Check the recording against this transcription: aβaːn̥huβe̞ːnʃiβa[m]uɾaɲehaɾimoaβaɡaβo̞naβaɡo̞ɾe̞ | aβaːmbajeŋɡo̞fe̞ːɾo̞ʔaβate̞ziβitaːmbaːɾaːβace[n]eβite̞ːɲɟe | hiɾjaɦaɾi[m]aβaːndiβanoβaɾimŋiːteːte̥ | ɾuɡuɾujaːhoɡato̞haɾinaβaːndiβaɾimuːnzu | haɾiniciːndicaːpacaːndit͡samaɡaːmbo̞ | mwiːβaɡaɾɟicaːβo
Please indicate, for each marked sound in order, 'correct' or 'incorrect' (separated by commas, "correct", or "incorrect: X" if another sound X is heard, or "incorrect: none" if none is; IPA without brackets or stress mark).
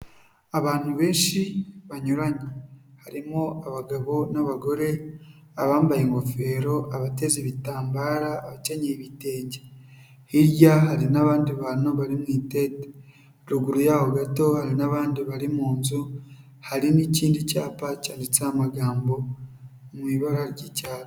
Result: incorrect: ɲ, incorrect: ɲ, incorrect: n